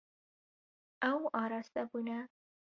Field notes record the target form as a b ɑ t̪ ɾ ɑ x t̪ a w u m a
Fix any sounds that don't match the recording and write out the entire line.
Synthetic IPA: a w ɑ ɾ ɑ s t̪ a b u n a